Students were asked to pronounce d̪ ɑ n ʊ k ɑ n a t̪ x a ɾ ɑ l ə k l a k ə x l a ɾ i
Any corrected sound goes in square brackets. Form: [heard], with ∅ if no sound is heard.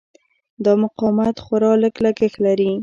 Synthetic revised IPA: d̪ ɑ [m] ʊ [q] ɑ [m] a t̪ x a ɾ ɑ l ə k l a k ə x l a ɾ i